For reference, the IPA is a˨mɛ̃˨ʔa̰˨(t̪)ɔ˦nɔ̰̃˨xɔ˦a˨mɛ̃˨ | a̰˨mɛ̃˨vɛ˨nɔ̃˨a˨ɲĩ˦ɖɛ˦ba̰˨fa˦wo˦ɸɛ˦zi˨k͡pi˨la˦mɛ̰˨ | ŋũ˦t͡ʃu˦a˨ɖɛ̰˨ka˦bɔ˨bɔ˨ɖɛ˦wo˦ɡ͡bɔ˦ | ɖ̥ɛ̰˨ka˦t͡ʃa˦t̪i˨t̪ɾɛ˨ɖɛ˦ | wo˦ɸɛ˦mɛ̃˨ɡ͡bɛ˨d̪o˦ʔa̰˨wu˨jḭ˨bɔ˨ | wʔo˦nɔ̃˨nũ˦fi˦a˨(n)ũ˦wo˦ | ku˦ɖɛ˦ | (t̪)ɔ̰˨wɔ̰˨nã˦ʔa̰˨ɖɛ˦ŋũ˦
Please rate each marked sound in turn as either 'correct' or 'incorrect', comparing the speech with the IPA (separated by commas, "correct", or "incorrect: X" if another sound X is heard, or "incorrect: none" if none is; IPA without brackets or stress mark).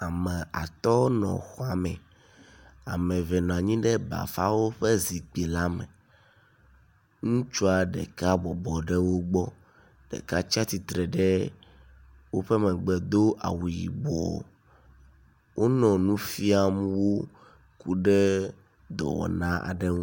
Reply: correct, incorrect: m, incorrect: d̪